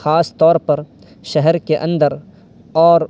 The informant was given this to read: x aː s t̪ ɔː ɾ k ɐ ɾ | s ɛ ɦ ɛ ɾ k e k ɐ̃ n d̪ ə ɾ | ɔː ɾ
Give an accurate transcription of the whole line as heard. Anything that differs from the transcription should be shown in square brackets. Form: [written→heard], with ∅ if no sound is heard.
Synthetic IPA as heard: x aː s t̪ ɔː ɾ [k→p] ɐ ɾ | [s→ʃ] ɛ ɦ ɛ ɾ k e [k→ʔ] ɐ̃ n d̪ ə ɾ | ɔː ɾ

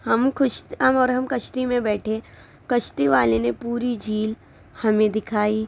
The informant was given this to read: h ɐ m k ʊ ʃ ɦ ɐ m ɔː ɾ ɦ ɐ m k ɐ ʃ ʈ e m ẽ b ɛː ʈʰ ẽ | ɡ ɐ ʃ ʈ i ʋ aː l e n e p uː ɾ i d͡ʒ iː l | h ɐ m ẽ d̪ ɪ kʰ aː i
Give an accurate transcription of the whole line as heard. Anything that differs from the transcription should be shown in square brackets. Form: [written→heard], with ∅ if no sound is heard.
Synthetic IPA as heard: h ɐ m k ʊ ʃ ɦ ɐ m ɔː ɾ ɦ ɐ m k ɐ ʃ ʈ [e→i] m ẽ b ɛː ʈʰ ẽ | [ɡ→k] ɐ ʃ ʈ i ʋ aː l e n e p uː ɾ i d͡ʒ iː l | h ɐ m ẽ d̪ ɪ kʰ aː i

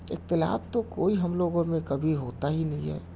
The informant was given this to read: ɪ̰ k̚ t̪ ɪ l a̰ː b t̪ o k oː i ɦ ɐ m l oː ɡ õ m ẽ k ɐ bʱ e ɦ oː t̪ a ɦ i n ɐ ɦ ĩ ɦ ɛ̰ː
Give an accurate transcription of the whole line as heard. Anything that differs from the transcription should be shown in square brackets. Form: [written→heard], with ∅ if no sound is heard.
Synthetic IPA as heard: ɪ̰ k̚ t̪ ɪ l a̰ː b t̪ o k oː i ɦ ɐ m l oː ɡ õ m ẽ k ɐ bʱ [e→i] ɦ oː t̪ a ɦ i n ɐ ɦ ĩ ɦ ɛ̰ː

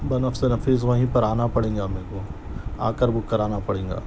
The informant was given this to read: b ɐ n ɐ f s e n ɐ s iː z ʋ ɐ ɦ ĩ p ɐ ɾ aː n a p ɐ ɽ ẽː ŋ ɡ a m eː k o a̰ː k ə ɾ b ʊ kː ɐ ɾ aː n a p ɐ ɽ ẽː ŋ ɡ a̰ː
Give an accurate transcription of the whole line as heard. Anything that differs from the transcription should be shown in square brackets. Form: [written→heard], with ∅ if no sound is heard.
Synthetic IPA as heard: b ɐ n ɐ f s e n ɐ [s→f] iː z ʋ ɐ ɦ ĩ p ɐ ɾ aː n a p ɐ ɽ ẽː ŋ ɡ a m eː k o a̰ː k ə ɾ b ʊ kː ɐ ɾ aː n a p ɐ ɽ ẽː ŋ ɡ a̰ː

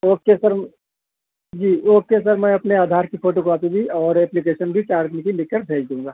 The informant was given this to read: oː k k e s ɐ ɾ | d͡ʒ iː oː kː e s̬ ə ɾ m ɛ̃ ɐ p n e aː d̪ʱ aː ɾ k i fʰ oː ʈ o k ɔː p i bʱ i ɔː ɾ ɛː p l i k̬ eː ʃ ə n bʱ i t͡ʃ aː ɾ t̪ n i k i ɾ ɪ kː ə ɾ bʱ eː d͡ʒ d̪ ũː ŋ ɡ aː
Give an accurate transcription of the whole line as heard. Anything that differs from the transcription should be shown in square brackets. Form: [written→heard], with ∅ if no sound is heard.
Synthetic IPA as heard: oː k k e s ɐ ɾ | d͡ʒ iː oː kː e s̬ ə ɾ m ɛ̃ ɐ p n e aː d̪ʱ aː ɾ k i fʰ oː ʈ o k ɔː p i bʱ i ɔː ɾ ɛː p l i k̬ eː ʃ ə n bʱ i t͡ʃ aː ɾ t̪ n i k i [ɾ→l] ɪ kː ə ɾ bʱ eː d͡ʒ d̪ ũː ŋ ɡ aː

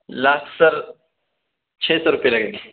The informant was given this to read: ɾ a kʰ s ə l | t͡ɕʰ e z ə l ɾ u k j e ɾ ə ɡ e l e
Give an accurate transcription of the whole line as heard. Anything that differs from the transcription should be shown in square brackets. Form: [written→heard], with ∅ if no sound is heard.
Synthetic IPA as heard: [ɾ→l] a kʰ s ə [l→ɾ] | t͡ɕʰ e [z→s] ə [l→∅] ɾ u [k→p] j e [ɾ→l] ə ɡ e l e

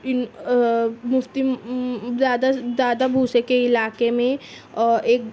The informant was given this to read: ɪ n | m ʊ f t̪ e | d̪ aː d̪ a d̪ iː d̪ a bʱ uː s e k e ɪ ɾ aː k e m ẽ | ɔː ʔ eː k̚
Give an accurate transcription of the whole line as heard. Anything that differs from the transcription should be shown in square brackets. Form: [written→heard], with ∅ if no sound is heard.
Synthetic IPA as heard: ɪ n | m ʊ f t̪ [e→i] | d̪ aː d̪ a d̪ [iː→aː] d̪ a bʱ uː s e k e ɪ [ɾ→l] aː k e m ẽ | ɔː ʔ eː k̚

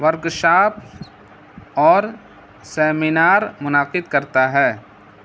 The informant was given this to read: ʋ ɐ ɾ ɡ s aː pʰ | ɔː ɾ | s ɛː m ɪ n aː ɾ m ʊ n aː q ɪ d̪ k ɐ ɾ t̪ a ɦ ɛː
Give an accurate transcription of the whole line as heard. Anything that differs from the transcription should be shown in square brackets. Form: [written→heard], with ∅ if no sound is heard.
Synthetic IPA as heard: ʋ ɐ ɾ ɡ [s→ʃ] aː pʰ | ɔː ɾ | s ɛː m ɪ n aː ɾ m ʊ n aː q ɪ d̪ k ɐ ɾ t̪ a ɦ ɛː

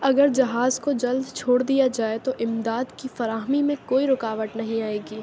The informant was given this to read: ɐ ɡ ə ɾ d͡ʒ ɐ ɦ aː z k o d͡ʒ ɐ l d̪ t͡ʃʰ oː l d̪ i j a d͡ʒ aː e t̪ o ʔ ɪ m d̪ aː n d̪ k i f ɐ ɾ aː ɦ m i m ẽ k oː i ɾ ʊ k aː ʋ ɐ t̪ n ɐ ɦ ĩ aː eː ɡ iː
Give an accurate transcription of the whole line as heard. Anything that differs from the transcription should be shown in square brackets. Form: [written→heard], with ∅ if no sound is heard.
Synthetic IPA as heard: ɐ ɡ ə ɾ d͡ʒ ɐ ɦ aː z k o d͡ʒ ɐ l d̪ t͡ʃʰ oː [l→ɽ] d̪ i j a d͡ʒ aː e t̪ o ʔ ɪ m d̪ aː [n→∅] d̪ k i f ɐ ɾ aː ɦ m i m ẽ k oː i ɾ ʊ k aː ʋ [ɐ→ə] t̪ n ɐ ɦ ĩ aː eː ɡ iː

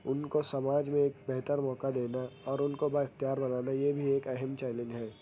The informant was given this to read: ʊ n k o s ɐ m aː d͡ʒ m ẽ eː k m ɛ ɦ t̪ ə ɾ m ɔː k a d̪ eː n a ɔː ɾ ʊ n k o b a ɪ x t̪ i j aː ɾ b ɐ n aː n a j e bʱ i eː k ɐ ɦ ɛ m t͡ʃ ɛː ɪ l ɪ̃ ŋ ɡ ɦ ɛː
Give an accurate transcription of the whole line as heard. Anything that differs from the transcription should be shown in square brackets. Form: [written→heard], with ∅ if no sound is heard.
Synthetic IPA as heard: ʊ n k o s ɐ m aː d͡ʒ m ẽ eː k [m→b] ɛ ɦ t̪ ə ɾ m ɔː k a d̪ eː n a ɔː ɾ ʊ n k o b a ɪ x t̪ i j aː ɾ b ɐ n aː n a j e bʱ i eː k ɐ ɦ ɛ m t͡ʃ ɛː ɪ l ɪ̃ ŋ ɡ ɦ ɛː

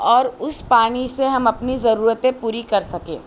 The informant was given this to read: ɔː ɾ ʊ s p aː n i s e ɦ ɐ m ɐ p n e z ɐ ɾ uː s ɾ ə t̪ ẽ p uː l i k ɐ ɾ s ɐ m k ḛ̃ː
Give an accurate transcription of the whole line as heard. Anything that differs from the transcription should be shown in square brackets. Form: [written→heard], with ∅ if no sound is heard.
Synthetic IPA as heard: ɔː ɾ ʊ s p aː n i s e ɦ ɐ m ɐ p n [e→i] z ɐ ɾ uː [s→∅] ɾ ə t̪ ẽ p uː [l→ɾ] i k ɐ ɾ s ɐ [m→∅] k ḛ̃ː

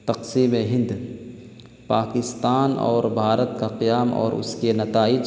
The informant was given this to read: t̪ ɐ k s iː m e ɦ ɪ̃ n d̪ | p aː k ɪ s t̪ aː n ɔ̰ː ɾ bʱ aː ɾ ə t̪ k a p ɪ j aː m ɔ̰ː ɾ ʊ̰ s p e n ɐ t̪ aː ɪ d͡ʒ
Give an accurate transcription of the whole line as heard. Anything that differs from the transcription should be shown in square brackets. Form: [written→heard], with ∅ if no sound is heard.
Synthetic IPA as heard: t̪ ɐ [k→q] s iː m e ɦ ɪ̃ n d̪ | p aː k ɪ s t̪ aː n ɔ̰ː ɾ bʱ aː ɾ ə t̪ k a [p→q] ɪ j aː m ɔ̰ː ɾ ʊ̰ s [p→k] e n ɐ t̪ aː ɪ d͡ʒ

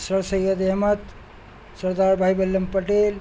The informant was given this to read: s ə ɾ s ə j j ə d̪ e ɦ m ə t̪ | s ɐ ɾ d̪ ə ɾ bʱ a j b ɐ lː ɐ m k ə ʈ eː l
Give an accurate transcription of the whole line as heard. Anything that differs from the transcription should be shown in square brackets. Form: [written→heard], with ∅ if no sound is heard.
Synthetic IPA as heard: s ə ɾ s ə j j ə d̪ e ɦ m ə t̪ | s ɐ ɾ d̪ [ə→a] ɾ bʱ a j b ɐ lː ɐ m [k→p] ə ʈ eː l

